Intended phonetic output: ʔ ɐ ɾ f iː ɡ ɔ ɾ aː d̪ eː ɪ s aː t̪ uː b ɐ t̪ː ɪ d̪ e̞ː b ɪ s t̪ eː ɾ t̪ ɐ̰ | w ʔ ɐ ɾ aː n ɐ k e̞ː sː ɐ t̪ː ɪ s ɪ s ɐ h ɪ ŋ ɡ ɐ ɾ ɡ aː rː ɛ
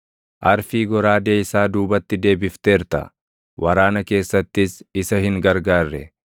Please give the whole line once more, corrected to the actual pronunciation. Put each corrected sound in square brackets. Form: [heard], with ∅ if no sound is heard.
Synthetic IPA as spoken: ʔ ɐ ɾ f iː ɡ ɔ ɾ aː d̪ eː ɪ s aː [d̪] uː b ɐ t̪ː ɪ d̪ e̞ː b ɪ [f] t̪ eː ɾ t̪ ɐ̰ | w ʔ ɐ ɾ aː n ɐ k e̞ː sː ɐ t̪ː ɪ s ɪ s ɐ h ɪ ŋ ɡ ɐ ɾ ɡ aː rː ɛ